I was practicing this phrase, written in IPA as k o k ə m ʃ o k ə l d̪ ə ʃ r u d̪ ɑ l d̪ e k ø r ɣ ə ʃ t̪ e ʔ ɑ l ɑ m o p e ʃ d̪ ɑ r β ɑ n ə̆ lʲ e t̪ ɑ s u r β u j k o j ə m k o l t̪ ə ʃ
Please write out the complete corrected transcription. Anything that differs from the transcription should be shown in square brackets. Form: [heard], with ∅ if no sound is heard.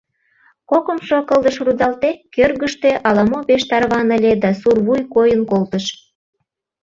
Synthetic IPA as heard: k o k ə m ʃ o k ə l d̪ ə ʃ r u d̪ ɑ l [t̪] e k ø r ɣ ə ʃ t̪ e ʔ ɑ l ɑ m o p e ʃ [t̪] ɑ r β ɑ n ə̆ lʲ e [d̪] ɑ s u r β u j k o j ə [n] k o l t̪ ə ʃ

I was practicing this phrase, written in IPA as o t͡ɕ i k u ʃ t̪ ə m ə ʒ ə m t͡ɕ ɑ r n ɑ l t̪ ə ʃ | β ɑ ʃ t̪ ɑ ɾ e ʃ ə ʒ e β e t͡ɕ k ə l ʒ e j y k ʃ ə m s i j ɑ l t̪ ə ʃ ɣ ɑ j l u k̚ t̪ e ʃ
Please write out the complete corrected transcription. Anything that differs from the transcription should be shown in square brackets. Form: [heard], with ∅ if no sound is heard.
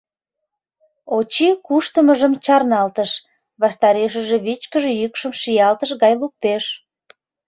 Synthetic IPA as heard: o t͡ɕ i k u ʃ t̪ ə m ə ʒ ə m t͡ɕ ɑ r n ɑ l t̪ ə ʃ | β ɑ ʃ t̪ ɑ ɾ e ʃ ə ʒ e β [i] t͡ɕ k ə [∅] ʒ e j y k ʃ ə m [ʃ] i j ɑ l t̪ ə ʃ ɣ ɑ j l u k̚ t̪ e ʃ

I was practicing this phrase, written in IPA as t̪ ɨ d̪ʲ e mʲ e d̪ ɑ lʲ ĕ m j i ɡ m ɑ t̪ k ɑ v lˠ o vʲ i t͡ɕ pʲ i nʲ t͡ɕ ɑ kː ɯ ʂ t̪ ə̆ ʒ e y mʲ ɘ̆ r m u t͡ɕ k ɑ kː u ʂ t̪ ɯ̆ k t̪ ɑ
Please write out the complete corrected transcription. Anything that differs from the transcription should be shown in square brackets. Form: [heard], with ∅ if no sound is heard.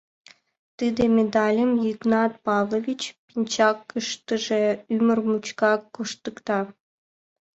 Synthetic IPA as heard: t̪ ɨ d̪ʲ e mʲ e d̪ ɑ lʲ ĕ m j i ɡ [n] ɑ t̪ [p] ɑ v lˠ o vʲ i t͡ɕ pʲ i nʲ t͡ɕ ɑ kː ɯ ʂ t̪ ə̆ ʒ e y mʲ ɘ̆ r m u t͡ɕ k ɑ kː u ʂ t̪ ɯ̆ k t̪ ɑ

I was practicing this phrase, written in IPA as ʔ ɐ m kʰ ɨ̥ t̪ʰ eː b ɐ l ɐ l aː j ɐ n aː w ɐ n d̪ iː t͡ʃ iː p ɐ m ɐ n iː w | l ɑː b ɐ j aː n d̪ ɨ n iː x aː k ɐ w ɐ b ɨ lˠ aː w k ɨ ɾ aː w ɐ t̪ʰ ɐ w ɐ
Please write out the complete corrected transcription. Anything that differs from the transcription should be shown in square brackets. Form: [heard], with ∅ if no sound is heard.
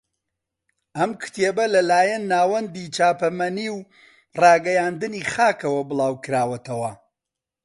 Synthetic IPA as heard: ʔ ɐ m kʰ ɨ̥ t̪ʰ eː b ɐ l ɐ l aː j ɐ [nː] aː w ɐ n d̪ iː t͡ʃ [aː] p ɐ m ɐ n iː w | [r] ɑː [ɡ] ɐ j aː n d̪ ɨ n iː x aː k ɐ w ɐ b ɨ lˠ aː w k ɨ ɾ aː w ɐ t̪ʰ ɐ w ɐ

